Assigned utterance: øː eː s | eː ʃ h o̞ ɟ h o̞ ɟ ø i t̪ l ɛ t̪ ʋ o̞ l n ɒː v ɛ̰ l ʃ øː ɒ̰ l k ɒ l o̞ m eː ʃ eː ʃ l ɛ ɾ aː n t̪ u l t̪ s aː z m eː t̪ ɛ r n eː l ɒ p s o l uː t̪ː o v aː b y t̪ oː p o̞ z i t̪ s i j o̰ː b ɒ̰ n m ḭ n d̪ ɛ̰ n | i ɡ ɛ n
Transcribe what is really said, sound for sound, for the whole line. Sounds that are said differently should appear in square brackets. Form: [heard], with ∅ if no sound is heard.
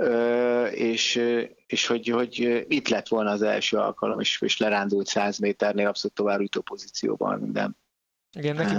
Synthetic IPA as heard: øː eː [ʃ] | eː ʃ h o̞ ɟ h o̞ ɟ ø i t̪ l ɛ t̪ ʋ o̞ l n ɒː [z] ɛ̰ l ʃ øː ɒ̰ l k ɒ l o̞ m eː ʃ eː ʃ l ɛ ɾ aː n [d̪] u l t̪ s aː z m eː t̪ ɛ r n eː l ɒ p s o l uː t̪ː o v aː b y t̪ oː p o̞ z i t̪ s i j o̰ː b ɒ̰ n m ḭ n d̪ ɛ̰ n | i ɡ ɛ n